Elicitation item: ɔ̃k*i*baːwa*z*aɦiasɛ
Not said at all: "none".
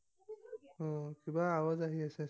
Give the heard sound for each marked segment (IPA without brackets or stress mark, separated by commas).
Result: i, z